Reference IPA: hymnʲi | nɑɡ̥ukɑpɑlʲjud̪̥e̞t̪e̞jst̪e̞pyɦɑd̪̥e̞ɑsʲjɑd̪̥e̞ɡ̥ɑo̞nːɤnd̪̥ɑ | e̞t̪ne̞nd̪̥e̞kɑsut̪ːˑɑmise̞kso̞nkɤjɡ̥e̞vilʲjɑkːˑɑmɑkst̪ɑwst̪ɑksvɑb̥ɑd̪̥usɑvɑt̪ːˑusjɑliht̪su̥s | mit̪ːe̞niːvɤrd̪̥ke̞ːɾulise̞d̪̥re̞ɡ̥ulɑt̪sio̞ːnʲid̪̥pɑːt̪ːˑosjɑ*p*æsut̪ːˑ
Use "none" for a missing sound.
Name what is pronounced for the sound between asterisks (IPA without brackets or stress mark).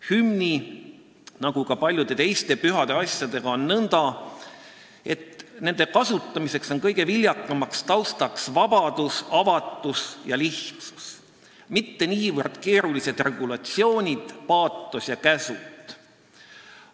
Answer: k